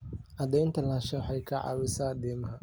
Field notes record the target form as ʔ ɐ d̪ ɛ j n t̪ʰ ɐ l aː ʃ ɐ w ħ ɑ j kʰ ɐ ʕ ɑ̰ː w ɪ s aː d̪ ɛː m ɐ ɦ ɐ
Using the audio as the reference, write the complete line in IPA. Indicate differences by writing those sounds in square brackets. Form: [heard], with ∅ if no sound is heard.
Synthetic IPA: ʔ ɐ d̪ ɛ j n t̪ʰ ɐ l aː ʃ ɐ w ħ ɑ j kʰ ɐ ʕ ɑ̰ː w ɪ s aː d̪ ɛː m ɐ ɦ ɐ

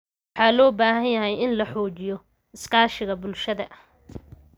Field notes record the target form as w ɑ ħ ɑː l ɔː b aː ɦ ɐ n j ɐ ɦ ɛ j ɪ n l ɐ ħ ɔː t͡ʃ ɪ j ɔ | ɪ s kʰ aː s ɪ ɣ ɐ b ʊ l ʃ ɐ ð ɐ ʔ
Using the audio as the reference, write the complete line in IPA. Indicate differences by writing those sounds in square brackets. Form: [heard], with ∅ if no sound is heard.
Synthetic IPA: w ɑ ħ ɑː l ɔː b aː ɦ ɐ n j ɐ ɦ ɛ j ɪ n l ɐ ħ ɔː t͡ʃ ɪ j ɔ | ɪ s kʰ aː [ʃ] ɪ ɣ ɐ b ʊ l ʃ ɐ ð ɐ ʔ

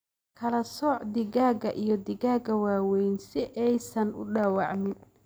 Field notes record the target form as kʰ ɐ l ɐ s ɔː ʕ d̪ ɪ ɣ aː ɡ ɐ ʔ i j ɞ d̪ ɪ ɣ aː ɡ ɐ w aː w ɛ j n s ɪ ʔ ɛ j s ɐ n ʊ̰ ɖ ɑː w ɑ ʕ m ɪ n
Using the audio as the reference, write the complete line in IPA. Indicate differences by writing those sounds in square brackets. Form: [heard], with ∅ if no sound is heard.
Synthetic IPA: kʰ ɐ l ɐ s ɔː ʕ d̪ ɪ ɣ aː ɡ ɐ ʔ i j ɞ d̪ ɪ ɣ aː ɡ ɐ w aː w ɛ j n s ɪ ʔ ɛ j s ɐ n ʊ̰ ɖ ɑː w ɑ ʕ m ɪ n

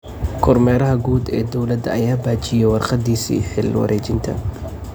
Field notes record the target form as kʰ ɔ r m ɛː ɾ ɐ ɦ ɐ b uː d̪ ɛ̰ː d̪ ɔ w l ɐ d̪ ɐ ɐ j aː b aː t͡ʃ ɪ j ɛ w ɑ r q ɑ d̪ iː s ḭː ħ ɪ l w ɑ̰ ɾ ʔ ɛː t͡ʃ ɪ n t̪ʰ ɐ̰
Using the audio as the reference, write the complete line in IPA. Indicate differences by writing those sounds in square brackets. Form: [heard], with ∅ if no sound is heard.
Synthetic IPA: kʰ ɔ r m ɛː ɾ ɐ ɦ ɐ [ɡ] uː d̪ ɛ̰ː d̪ ɔ w l ɐ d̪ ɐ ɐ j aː b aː t͡ʃ ɪ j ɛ w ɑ r q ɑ d̪ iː s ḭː ħ ɪ l w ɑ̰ ɾ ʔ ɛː t͡ʃ ɪ n t̪ʰ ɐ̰

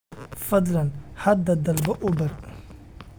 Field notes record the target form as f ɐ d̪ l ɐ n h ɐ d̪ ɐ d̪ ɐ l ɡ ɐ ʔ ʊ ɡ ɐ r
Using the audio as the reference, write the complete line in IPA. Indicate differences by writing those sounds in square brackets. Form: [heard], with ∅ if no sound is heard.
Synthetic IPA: f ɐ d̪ l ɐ n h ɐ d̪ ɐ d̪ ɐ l [b] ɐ ʔ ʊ [b] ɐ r

